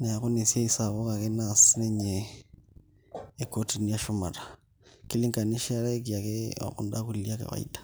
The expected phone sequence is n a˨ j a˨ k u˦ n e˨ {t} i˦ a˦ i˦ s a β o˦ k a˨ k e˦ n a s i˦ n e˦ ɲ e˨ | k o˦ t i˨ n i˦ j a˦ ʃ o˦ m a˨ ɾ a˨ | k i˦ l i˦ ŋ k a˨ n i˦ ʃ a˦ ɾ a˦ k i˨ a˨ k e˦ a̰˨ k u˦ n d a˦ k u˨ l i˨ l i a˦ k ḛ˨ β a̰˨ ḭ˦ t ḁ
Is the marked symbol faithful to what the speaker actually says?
no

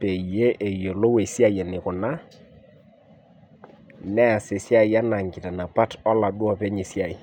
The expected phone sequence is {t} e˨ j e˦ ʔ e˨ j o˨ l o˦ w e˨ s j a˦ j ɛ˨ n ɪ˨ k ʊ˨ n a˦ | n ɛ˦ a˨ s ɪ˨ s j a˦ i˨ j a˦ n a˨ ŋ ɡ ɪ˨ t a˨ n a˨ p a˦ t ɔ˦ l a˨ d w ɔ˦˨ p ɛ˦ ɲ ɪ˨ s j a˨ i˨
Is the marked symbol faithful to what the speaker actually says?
no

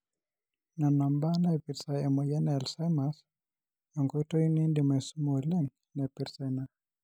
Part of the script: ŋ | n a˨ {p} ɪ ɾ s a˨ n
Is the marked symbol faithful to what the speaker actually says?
yes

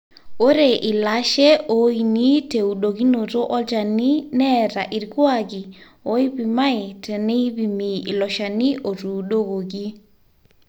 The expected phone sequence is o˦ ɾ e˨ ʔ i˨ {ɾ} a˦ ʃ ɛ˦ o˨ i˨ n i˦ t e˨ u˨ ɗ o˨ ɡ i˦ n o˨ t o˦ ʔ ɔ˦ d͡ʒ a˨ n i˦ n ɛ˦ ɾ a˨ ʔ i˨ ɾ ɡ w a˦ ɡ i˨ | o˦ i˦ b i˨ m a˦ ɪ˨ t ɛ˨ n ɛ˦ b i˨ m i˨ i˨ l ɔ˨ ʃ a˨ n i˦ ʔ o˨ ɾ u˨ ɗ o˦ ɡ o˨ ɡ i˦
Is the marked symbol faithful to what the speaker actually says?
no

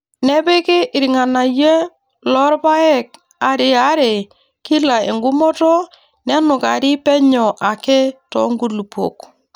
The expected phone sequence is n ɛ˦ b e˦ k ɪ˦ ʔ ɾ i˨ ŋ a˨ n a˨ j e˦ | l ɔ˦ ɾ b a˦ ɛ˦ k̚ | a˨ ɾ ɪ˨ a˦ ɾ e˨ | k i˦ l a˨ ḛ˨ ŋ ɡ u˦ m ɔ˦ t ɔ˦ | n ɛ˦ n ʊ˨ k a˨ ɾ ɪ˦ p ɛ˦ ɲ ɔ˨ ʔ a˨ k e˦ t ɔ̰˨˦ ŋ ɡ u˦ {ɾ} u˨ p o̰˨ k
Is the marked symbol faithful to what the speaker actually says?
no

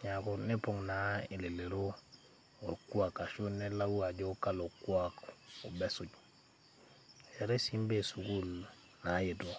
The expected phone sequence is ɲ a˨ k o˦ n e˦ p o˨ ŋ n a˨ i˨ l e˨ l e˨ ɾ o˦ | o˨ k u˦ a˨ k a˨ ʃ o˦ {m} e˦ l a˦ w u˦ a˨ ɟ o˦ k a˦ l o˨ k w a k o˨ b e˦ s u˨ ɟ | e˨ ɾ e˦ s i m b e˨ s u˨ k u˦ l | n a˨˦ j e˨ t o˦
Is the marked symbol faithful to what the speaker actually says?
no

